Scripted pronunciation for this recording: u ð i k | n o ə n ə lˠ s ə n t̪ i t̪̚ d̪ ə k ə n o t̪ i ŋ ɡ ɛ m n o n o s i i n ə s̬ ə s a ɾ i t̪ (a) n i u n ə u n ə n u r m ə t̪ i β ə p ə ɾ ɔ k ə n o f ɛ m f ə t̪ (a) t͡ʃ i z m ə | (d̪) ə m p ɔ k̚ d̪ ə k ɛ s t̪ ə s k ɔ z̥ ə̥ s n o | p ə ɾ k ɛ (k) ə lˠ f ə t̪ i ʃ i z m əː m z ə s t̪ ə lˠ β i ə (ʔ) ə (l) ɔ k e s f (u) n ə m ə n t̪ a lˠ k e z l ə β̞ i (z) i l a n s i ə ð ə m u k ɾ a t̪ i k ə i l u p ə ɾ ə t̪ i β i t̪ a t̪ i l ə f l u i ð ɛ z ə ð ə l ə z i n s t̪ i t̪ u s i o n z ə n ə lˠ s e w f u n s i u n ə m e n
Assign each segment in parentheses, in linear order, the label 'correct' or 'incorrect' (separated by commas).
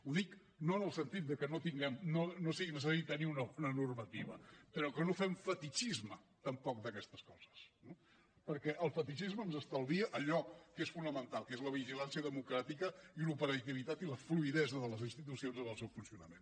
incorrect, incorrect, incorrect, incorrect, correct, incorrect, correct, incorrect